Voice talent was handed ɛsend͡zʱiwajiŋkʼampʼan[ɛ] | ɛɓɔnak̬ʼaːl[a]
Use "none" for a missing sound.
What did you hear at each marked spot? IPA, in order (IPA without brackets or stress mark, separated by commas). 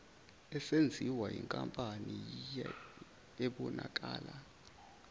i, a